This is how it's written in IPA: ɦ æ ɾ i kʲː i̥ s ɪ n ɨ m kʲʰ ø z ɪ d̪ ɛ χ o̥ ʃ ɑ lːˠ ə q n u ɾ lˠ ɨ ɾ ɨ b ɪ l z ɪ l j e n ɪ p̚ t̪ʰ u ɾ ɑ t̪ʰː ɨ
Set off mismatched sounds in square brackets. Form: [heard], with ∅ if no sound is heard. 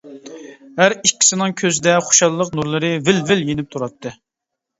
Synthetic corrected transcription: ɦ æ ɾ i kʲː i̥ s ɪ n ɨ [ŋ] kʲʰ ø z ɪ d̪ ɛ χ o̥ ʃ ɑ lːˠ ə q n u ɾ lˠ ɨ ɾ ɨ [v] ɪ l [v] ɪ l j e n ɪ p̚ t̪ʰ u ɾ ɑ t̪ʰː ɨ